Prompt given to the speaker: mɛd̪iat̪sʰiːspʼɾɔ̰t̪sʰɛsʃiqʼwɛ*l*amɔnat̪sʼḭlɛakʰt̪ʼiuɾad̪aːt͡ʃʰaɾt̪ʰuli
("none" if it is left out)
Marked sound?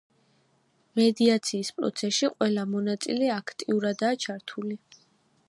l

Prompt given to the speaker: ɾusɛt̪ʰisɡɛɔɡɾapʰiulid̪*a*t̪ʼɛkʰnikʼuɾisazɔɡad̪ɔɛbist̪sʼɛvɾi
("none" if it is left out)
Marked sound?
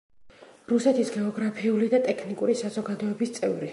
a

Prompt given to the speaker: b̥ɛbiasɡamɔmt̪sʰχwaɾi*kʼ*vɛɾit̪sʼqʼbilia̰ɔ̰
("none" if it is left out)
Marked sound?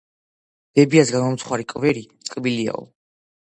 kʼ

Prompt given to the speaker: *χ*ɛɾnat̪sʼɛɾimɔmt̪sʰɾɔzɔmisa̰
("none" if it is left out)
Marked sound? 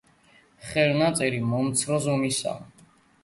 χ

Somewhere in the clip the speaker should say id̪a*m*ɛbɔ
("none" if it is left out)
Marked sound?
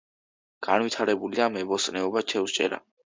m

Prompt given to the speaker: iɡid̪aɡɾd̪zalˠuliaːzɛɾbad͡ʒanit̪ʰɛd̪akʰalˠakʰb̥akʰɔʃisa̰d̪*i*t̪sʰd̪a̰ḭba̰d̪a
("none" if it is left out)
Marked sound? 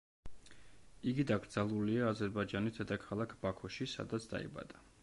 a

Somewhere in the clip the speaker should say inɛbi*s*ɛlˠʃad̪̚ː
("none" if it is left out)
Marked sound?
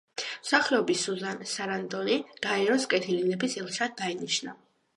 s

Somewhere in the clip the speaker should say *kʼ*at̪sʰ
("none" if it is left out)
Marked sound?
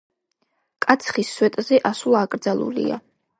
kʼ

